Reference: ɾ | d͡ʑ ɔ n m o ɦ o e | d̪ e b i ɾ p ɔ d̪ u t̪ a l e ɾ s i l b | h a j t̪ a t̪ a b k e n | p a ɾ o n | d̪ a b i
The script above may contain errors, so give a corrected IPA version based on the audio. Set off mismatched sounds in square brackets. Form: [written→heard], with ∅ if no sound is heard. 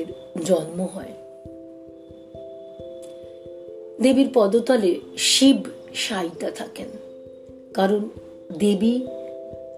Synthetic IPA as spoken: ɾ | d͡ʑ ɔ n m o ɦ [o→ɔ] e | d̪ e b i ɾ p ɔ d̪ [u→o] t̪ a l e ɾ [s→ʃ] i [l→∅] b | [h→ʃ] a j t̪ a [t̪→t̪ʰ] a [b→∅] k e n | [p→k] a ɾ o n | d̪ [a→e] b i